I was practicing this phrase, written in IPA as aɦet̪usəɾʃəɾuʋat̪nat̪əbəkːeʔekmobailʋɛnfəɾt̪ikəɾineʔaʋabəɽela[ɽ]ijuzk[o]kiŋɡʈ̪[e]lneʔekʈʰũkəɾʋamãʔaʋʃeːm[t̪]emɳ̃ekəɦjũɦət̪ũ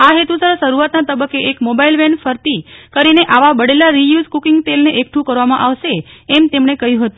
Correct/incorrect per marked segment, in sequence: incorrect: ɾ, incorrect: u, correct, correct

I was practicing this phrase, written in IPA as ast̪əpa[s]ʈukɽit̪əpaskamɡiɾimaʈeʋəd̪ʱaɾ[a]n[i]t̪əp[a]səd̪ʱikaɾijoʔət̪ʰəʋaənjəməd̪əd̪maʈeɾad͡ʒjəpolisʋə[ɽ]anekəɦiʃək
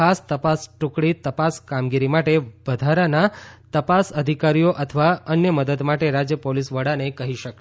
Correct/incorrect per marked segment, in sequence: correct, correct, incorrect: a, correct, correct

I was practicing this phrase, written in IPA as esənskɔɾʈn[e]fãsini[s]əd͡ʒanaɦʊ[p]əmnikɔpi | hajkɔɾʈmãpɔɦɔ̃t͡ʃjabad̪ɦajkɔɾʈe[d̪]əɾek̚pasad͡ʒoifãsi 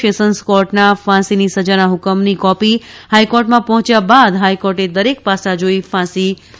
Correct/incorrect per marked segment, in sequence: incorrect: a, correct, incorrect: k, correct

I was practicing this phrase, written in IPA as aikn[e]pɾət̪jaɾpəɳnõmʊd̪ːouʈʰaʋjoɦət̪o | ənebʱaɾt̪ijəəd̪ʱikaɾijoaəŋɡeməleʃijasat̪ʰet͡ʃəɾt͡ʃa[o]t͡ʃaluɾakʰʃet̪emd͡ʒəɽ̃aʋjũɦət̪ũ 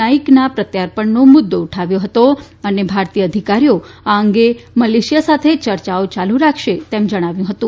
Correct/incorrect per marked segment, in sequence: incorrect: a, correct

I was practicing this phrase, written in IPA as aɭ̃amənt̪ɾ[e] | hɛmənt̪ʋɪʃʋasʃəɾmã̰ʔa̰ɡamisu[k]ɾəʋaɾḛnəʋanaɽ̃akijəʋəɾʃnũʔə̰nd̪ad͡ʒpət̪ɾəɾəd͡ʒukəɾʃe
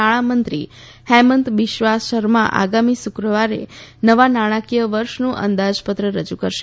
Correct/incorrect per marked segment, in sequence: incorrect: i, correct

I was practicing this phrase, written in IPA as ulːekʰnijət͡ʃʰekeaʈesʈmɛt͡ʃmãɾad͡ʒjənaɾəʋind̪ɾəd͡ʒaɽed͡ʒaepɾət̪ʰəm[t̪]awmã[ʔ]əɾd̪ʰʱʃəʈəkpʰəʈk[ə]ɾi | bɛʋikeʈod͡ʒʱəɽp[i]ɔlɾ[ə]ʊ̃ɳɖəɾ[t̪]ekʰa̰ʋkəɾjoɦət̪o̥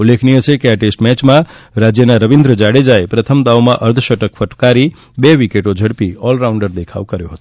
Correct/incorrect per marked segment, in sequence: incorrect: d̪, correct, incorrect: a, correct, incorrect: a, incorrect: d̪

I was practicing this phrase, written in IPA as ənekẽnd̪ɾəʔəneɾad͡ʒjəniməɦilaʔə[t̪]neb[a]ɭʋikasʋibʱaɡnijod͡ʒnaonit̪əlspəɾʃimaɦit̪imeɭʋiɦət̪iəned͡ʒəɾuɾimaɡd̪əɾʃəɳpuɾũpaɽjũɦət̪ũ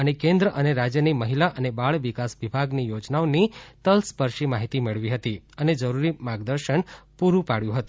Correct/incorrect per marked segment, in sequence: incorrect: none, correct

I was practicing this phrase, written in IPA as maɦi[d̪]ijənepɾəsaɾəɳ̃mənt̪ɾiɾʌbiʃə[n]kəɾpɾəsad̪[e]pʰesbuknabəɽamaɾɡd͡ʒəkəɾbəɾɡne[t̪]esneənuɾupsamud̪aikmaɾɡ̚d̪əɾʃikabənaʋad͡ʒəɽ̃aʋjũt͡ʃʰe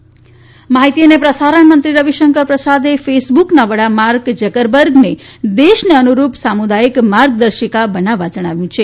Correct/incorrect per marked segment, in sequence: incorrect: t̪, incorrect: ŋ, correct, incorrect: d̪

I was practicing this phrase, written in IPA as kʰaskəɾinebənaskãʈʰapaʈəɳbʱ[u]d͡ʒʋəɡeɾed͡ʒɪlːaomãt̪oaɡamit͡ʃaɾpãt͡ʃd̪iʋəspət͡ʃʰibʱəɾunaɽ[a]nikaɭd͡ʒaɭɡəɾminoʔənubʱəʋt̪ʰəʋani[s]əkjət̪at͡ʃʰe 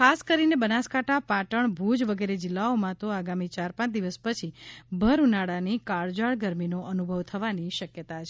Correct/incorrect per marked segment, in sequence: correct, correct, incorrect: ʃ

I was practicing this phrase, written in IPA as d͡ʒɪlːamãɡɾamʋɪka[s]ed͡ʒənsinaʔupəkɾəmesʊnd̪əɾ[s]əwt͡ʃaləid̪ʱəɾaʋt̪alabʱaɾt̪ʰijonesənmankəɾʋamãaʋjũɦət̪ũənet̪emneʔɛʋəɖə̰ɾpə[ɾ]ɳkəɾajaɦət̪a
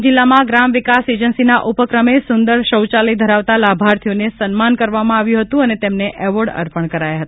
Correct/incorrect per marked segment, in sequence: correct, incorrect: ʃ, incorrect: none

